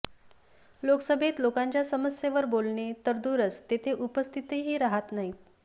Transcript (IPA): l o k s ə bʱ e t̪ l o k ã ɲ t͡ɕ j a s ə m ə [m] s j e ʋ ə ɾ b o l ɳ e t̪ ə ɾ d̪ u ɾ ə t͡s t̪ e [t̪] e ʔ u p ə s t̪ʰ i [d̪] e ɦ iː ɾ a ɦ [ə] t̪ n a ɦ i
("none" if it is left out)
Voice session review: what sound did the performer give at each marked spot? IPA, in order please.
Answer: none, t̪ʰ, t̪, a

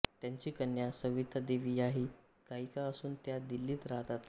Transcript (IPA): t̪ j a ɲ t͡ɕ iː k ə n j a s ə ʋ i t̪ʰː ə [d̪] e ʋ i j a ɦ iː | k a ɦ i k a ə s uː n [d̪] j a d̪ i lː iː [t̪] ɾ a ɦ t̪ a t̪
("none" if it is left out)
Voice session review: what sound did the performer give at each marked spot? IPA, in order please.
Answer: d̪, t̪, t̪

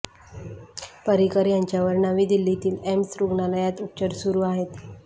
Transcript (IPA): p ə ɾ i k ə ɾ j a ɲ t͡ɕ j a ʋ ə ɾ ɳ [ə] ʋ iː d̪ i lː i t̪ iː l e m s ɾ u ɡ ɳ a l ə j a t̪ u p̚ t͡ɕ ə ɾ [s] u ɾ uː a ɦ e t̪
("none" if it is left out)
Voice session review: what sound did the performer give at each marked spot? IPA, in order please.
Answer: a, s

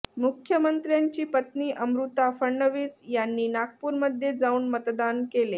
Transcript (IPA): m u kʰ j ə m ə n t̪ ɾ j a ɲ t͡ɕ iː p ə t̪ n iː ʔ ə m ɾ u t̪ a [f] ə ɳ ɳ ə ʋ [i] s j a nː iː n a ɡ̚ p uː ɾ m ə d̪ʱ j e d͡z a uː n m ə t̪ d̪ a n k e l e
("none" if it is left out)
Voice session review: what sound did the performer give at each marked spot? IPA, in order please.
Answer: f, iː

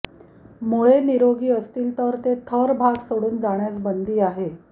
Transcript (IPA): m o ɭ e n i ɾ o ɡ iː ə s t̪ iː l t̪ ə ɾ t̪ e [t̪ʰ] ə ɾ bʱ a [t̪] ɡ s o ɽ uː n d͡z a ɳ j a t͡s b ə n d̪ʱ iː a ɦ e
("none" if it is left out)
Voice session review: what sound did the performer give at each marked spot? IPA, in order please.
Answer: t̪ʰ, none

